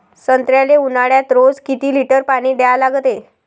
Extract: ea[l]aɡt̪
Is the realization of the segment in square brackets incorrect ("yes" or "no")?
no